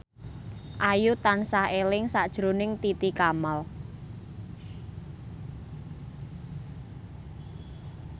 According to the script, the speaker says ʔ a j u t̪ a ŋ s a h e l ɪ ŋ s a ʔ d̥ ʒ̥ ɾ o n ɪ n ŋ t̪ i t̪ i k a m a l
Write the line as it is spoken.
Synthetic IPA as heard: ʔ a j u t̪ a n s a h e l ɪ ŋ s a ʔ d̥ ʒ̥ ɾ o n ɪ ŋ t̪ i t̪ i k a m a l